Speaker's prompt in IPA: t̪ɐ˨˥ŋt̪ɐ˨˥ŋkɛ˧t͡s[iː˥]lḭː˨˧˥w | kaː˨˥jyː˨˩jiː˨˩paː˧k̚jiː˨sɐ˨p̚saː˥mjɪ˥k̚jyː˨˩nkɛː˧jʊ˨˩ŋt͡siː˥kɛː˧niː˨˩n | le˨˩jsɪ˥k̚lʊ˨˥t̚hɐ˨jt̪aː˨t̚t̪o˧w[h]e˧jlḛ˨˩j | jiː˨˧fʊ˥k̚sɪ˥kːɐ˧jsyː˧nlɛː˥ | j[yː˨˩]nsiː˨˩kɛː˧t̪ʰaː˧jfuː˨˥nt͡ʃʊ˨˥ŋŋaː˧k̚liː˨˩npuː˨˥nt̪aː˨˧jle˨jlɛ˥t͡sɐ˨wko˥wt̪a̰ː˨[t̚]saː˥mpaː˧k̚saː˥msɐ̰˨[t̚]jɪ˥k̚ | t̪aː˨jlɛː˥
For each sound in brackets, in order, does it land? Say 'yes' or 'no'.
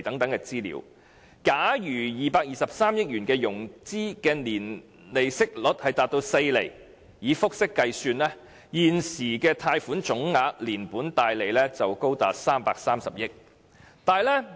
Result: yes, no, no, yes, no

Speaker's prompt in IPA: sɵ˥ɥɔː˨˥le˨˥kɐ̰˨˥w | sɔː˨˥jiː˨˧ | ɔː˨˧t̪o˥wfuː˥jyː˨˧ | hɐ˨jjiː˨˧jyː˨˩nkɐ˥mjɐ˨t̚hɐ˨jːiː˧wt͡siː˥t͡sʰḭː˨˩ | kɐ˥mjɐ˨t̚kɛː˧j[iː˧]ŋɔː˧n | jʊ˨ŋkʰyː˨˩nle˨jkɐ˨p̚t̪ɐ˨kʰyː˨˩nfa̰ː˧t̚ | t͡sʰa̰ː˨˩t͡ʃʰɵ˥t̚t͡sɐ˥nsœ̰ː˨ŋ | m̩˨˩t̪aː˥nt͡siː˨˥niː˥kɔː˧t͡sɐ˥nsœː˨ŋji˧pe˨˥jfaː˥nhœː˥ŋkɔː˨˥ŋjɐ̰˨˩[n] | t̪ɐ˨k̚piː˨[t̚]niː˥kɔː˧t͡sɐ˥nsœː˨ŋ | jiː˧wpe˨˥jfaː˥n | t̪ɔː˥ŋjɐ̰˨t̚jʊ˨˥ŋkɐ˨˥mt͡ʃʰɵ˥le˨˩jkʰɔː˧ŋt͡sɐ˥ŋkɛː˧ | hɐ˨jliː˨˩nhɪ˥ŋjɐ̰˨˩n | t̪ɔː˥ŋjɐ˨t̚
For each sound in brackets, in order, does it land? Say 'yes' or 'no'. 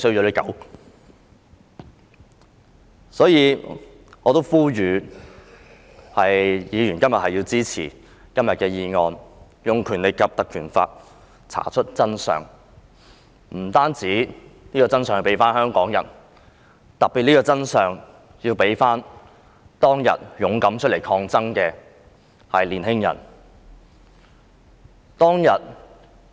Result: yes, yes, yes

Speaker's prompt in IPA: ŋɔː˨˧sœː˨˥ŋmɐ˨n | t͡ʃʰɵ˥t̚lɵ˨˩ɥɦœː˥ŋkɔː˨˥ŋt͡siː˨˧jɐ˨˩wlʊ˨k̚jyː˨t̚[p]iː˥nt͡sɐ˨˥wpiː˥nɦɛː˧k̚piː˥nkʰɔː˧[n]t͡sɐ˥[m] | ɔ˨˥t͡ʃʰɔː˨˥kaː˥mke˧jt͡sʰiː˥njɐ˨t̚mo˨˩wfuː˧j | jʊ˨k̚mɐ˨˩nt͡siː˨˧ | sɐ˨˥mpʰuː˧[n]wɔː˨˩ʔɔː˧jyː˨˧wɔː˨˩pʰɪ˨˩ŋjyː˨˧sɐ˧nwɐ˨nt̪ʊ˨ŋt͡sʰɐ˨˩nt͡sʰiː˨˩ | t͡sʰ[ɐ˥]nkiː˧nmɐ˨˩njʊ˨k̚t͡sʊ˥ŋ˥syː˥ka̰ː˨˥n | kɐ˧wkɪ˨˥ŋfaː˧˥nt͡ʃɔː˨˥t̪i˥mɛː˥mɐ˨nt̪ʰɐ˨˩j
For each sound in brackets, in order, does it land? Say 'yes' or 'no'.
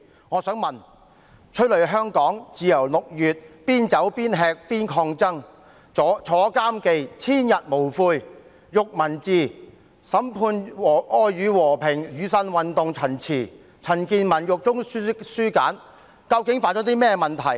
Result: yes, no, no, yes, no

